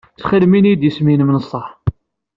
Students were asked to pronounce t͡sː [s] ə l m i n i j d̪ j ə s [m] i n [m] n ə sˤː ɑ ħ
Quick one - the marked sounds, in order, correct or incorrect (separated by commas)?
incorrect, correct, correct